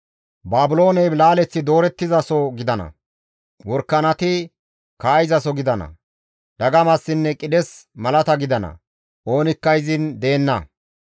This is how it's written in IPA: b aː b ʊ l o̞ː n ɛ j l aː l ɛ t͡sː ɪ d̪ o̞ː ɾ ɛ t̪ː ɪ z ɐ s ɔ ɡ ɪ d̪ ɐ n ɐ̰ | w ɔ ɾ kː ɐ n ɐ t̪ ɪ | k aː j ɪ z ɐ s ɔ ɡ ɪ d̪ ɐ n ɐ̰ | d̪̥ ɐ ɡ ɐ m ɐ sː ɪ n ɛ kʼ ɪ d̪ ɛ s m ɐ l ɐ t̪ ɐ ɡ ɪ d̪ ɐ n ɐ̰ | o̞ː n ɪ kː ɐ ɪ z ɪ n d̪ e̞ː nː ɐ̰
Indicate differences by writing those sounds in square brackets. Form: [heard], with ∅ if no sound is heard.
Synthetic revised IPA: b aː b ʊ l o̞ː n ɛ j l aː l ɛ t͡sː ɪ d̪ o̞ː ɾ ɛ t̪ː ɪ z ɐ s ɔ ɡ ɪ d̪ ɐ n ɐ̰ | w ɔ ɾ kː ɐ n ɐ t̪ ɪ | k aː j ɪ z ɐ s ɔ ɡ ɪ d̪ ɐ n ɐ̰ | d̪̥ ɐ ɡ ɐ m ɐ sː ɪ [nː] ɛ kʼ ɪ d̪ ɛ s m ɐ l ɐ t̪ ɐ ɡ ɪ d̪ ɐ n ɐ̰ | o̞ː n ɪ kː ɐ ɪ z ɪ n d̪ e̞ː nː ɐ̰